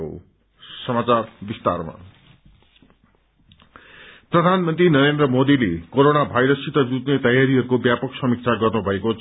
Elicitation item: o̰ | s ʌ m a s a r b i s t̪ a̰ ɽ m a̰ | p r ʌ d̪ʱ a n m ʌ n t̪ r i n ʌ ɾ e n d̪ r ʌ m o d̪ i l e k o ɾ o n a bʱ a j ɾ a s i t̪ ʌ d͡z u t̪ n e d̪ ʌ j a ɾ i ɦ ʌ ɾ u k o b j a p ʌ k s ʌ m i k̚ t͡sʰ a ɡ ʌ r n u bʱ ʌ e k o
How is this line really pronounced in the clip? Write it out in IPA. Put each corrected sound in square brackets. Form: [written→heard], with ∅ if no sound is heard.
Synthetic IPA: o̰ | s ʌ m a [s→t͡s] a r b i s t̪ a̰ [ɽ→r] m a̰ | p r ʌ d̪ʱ a n m ʌ n t̪ r i n ʌ ɾ e n d̪ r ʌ m o d̪ i l e k o ɾ o n a bʱ a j ɾ [a→ʌ] s i t̪ ʌ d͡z u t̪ n e [d̪→t̪] ʌ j a ɾ i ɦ ʌ ɾ u k o b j a p ʌ k s ʌ m i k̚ t͡sʰ a ɡ ʌ r n u bʱ ʌ e k o